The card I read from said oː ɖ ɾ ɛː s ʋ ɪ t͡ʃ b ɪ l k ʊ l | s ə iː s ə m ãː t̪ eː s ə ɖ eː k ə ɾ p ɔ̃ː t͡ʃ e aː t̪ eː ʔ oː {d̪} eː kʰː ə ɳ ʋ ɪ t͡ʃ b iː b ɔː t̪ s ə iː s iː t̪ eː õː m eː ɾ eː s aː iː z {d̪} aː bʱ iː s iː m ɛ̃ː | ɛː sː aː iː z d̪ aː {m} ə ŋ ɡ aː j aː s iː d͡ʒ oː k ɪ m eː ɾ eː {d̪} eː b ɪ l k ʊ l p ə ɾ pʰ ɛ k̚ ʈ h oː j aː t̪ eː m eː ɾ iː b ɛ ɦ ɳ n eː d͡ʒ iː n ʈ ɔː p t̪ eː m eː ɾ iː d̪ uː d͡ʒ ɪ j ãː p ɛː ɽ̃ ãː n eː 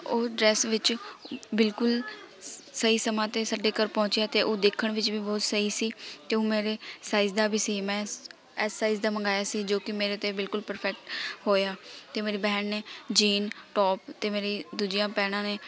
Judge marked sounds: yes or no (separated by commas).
yes, yes, yes, no